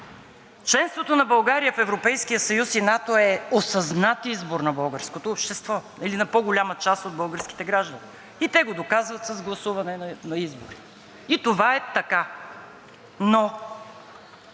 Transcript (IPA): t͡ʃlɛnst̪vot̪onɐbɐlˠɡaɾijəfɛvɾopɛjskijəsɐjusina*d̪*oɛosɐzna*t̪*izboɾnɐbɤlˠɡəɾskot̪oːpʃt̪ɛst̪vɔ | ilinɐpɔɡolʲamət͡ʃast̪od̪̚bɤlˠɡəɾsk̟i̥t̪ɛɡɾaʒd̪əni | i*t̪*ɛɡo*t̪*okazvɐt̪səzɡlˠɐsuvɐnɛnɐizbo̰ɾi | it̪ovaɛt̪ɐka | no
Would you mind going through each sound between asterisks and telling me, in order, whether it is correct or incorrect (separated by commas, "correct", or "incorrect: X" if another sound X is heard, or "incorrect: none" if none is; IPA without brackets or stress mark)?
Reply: incorrect: t̪, correct, correct, incorrect: d̪